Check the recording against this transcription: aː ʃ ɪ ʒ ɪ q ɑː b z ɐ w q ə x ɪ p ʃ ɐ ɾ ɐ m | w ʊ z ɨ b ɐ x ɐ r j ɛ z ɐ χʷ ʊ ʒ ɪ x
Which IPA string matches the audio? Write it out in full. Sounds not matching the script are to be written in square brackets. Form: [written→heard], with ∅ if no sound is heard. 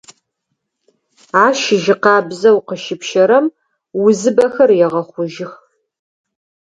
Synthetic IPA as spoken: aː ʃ ɪ ʒ ɪ q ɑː b z ɐ w q ə [x→ʃ] ɪ p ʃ ɐ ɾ ɐ m | w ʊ z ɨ b ɐ x ɐ r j ɛ [z→ʁ] ɐ χʷ ʊ ʒ ɪ x